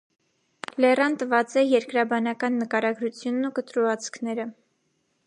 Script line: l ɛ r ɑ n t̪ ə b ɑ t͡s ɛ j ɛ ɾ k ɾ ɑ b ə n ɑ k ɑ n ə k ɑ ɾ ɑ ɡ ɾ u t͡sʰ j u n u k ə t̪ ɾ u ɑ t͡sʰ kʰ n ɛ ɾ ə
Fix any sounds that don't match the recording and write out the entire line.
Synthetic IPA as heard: l ɛ r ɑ n t̪ ə v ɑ t͡s ɛ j ɛ ɾ k ɾ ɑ b ɑ n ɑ k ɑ nː ə k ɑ ɾ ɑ ɡ ɾ u t͡sʰ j u nː u k ə t̪ ɾ u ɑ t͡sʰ kʰ n ɛ ɾ ə

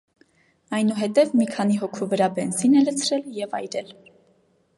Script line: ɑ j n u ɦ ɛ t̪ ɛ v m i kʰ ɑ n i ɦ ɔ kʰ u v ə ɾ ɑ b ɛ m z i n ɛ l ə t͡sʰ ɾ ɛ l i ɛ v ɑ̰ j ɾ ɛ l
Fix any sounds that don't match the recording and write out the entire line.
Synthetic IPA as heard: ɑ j n u ɦ ɛ t̪ ɛ v m i kʰ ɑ n i ɦ ɔ kʰ u v ə ɾ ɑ b ɛ n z i n ɛ l ə t͡sʰ ɾ ɛ l j ɛ v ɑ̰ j ɾ ɛ l

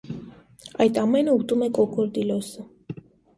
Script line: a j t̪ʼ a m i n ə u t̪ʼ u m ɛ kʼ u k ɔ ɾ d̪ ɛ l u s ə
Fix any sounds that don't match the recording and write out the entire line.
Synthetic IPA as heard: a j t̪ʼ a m ɛ n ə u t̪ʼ u m ɛ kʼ ɔ k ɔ ɾ d̪ i l ɔ s ə

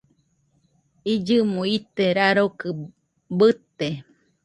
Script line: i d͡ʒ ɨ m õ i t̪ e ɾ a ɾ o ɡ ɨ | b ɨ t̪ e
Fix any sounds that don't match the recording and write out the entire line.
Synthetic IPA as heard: i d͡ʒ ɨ m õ i t̪ e ɾ a ɾ o k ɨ | b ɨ t̪ e

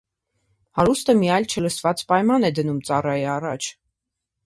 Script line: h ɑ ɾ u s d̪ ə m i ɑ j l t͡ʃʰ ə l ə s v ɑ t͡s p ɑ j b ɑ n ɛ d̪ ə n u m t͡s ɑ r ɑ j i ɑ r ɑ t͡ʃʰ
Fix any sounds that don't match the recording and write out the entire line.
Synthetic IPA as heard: h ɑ ɾ u s t̪ ə m i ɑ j l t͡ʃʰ ə l ə s v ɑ t͡s p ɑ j m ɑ n ɛ d̪ ə n u m t͡s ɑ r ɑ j i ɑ r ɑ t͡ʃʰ

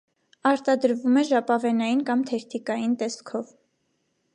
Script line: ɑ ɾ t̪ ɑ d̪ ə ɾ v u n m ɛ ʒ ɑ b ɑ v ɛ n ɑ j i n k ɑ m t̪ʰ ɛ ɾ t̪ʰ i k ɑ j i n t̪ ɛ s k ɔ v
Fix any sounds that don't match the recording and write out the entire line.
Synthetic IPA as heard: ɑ ɾ t̪ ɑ d̪ ə ɾ v u m ɛ ʒ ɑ p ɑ v ɛ n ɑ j i n k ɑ m t̪ʰ ɛ ɾ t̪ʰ i k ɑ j i n t̪ ɛ s kʰ ɔ v

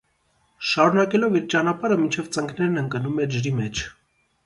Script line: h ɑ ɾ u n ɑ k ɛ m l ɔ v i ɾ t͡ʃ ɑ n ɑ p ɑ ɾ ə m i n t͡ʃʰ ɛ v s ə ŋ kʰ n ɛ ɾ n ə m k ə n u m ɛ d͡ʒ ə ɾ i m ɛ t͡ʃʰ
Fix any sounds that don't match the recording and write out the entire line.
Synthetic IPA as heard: ʃ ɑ ɾ u n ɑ k ɛ l ɔ v i ɾ t͡ʃ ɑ n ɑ p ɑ ɾ ə m i n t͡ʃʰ ɛ v t͡s ə ŋ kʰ n ɛ ɾ n ə ŋ k ə n u m ɛ d͡ʒ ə ɾ i m ɛ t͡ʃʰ

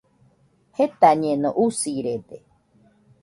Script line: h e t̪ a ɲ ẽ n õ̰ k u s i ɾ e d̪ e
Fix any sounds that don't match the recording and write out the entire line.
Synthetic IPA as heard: h e t̪ a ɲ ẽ n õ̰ ʔ u s i ɾ e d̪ e

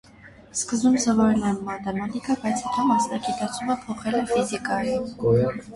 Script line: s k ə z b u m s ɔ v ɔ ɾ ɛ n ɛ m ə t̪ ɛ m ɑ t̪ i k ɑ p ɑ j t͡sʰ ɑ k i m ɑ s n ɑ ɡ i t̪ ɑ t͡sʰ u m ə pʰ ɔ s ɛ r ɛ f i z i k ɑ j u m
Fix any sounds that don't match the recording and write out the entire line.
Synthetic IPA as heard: s k ə z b u m s ɔ v ɔ ɾ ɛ n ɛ m ɑ t̪ ɛ m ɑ t̪ i k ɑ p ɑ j t͡sʰ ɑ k i m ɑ s n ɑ ɡ i t̪ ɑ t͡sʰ u m ə pʰ ɔ χ ɛ l ɛ f i z i k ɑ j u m

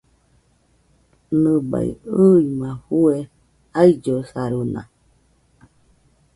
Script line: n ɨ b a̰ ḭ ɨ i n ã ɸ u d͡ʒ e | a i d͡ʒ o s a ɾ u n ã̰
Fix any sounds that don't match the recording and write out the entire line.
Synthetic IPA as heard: n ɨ b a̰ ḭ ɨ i m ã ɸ u e | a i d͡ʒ o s a ɾ u n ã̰

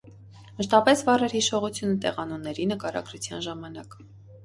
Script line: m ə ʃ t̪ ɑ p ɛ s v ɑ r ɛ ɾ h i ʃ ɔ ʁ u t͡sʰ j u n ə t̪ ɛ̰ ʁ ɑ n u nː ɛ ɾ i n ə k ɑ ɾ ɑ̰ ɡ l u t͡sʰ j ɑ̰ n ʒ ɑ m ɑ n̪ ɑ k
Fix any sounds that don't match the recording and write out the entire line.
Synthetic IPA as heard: m ə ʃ t̪ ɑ p ɛ s v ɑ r ɛ ɾ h i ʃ ɔ ʁ u t͡sʰ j u n ə t̪ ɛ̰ ʁ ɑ n u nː ɛ ɾ i n ə k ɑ ɾ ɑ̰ ɡ ɾ u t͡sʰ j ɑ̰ n ʒ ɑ m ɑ n̪ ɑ k

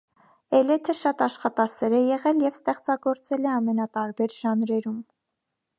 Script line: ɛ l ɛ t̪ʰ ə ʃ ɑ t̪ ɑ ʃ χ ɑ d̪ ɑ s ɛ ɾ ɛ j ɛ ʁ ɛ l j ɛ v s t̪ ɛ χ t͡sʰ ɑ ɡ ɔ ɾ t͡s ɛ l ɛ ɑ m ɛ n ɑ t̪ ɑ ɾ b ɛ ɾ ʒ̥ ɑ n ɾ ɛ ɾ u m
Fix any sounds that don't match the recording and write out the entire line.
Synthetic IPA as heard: ɛ l ɛ t̪ʰ ə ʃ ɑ t̪ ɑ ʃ χ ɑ t̪ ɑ s ɛ ɾ ɛ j ɛ ʁ ɛ l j ɛ v s t̪ ɛ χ t͡s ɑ ɡ ɔ ɾ t͡s ɛ l ɛ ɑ m ɛ n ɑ t̪ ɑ ɾ b ɛ ɾ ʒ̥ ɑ n ɾ ɛ ɾ u m

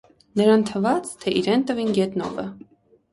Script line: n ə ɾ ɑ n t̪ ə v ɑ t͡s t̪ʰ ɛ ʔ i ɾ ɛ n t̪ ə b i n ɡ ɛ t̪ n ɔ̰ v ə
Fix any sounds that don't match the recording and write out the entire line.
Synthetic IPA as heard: n ə ɾ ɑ n t̪ʰ ə v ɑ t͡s t̪ʰ ɛ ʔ i ɾ ɛ n t̪ ə v i n ɡ ɛ t̪ n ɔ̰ v ə

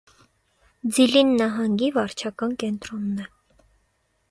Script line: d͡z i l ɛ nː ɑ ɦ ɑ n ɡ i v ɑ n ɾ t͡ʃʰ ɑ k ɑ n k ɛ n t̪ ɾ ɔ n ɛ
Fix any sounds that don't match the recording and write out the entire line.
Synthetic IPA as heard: d͡z i l i nː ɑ ɦ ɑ ŋ ɡ i v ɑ ɾ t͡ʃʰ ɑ k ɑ n k ɛ n t̪ ɾ ɔ nː ɛ

